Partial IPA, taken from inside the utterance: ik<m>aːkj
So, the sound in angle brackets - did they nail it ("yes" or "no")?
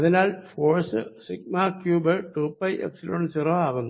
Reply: yes